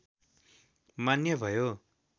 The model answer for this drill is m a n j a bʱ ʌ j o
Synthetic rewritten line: m a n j ʌ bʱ ʌ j o